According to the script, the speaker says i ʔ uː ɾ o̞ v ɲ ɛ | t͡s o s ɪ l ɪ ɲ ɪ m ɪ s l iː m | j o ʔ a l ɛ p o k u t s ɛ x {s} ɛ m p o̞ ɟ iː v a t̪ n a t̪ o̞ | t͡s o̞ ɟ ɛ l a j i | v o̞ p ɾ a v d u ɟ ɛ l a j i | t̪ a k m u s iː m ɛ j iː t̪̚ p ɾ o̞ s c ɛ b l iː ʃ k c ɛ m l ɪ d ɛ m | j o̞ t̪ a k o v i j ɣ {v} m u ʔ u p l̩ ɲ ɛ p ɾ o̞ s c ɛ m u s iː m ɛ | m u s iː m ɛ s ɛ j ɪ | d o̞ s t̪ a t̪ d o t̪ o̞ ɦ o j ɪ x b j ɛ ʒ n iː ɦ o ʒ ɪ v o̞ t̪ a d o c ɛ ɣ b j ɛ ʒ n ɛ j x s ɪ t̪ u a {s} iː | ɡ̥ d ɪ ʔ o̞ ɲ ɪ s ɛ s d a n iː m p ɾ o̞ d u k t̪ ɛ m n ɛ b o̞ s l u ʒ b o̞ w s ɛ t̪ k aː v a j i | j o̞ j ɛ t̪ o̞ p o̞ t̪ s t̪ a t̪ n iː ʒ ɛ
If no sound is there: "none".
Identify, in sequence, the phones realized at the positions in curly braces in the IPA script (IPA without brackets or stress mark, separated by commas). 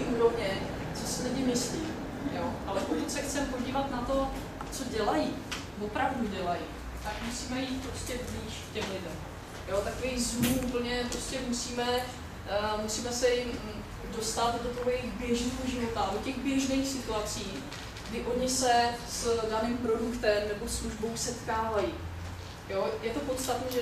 t͡s, z, t͡s